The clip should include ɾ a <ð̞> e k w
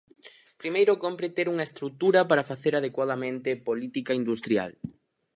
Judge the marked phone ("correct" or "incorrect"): correct